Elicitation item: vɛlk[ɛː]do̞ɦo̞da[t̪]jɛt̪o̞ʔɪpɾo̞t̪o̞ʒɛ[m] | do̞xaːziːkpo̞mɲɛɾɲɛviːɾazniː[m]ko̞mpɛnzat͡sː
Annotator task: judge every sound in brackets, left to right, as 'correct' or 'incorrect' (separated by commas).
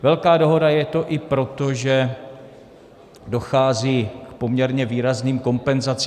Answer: incorrect, incorrect, incorrect, correct